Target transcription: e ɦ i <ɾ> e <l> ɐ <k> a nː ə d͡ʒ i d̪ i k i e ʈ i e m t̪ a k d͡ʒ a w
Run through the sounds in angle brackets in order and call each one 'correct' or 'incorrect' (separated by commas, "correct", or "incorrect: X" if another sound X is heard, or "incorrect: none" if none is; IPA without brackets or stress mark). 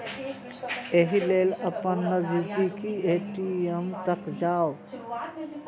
incorrect: l, correct, incorrect: p